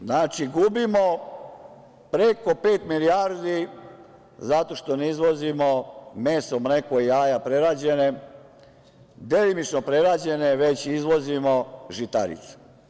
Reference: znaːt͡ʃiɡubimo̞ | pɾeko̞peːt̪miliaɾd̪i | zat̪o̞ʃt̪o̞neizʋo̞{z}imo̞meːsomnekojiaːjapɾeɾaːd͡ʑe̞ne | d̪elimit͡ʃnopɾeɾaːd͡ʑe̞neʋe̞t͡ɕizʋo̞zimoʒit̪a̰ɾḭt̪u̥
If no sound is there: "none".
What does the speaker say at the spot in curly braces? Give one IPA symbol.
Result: z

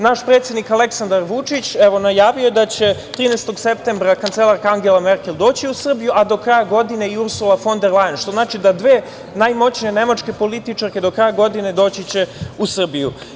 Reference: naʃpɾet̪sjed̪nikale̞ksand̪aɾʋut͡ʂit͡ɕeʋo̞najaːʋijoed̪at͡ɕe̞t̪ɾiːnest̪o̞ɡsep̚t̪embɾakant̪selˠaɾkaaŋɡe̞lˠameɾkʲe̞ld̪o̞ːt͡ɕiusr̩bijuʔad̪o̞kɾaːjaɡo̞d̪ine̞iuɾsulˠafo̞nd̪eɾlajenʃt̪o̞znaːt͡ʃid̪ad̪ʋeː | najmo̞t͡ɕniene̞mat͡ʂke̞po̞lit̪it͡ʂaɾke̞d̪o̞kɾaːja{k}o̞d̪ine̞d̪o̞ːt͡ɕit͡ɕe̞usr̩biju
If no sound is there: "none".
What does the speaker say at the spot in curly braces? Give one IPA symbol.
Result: ɡ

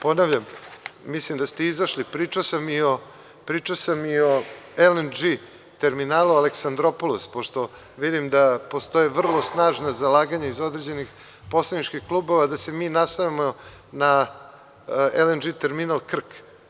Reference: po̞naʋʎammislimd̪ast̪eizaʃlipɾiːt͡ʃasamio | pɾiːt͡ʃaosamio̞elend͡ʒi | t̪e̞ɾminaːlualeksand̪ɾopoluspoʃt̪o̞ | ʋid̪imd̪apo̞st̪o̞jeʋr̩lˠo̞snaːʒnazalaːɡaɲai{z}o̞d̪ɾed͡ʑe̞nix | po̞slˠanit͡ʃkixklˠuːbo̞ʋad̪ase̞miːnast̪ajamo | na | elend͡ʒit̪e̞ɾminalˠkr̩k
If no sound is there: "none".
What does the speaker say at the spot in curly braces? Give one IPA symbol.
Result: z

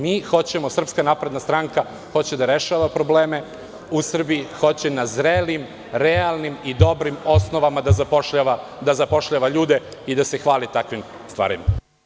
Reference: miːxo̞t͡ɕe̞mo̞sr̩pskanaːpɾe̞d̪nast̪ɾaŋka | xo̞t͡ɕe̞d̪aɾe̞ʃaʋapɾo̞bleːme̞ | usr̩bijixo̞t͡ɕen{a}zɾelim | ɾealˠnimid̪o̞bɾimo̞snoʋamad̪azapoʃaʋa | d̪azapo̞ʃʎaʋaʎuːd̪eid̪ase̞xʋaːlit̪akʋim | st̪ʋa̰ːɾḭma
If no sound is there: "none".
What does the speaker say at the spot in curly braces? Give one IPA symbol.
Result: a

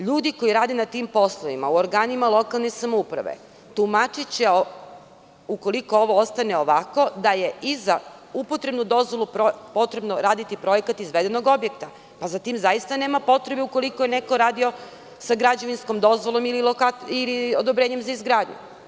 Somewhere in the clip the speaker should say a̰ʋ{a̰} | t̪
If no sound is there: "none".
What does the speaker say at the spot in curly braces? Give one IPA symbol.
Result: ḛ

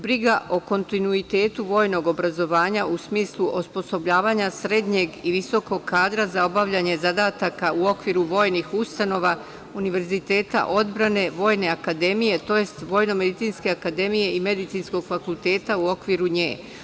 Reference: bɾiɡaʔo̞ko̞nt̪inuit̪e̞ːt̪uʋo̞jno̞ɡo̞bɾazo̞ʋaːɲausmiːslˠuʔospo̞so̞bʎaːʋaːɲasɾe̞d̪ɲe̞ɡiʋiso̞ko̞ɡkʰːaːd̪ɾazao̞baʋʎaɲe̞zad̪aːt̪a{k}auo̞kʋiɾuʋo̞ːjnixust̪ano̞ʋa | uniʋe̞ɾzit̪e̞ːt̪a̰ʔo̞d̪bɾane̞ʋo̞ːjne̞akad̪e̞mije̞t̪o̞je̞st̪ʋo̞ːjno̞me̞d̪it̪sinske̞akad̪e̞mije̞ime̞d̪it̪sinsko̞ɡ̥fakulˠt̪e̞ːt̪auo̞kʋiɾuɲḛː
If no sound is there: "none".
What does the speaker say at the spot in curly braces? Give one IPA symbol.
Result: k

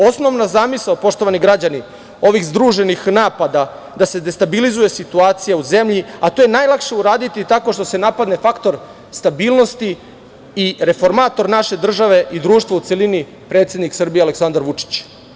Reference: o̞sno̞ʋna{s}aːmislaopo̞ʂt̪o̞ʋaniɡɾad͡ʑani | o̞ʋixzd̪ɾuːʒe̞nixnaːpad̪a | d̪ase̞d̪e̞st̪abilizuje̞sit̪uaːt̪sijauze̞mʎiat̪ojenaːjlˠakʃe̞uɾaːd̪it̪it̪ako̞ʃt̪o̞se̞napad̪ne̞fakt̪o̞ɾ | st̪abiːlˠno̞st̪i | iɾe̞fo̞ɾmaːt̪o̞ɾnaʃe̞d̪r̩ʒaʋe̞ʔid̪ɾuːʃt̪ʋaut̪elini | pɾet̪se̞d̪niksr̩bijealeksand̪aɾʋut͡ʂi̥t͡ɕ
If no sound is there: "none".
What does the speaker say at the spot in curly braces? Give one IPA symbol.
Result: z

